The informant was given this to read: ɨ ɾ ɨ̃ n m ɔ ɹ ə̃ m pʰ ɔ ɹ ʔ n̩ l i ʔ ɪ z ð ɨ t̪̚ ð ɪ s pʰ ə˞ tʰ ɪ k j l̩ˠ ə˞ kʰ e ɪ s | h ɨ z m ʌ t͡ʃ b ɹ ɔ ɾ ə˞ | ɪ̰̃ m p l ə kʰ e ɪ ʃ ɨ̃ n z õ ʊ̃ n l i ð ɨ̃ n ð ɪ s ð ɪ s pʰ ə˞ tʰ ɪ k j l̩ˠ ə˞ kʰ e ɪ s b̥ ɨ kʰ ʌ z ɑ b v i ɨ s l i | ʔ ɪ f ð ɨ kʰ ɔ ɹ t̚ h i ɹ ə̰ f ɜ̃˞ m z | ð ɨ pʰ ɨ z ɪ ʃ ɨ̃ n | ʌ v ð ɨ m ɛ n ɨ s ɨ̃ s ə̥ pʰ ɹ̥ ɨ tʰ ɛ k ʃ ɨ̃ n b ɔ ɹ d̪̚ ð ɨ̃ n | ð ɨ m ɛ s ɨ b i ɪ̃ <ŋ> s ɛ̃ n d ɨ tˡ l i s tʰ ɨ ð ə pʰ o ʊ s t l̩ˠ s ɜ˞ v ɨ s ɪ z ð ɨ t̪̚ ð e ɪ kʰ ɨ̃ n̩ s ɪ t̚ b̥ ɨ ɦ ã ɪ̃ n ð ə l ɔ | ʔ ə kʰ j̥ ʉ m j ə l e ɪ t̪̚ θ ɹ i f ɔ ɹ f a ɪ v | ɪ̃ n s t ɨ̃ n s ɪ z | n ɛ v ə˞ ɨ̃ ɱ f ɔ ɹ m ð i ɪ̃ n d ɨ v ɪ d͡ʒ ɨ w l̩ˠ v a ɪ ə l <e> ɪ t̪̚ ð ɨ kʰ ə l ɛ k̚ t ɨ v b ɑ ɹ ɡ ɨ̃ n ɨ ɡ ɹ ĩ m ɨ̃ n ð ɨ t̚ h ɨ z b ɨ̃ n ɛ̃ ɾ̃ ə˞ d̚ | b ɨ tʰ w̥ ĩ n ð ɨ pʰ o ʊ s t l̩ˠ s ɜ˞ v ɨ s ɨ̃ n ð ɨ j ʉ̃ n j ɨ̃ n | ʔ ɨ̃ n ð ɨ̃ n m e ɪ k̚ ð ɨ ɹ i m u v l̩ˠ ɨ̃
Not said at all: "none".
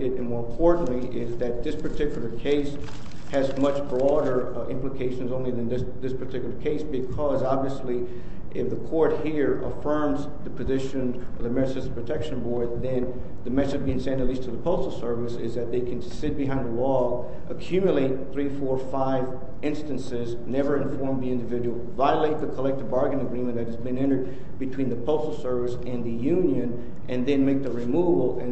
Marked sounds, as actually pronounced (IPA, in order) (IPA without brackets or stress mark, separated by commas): ŋ, e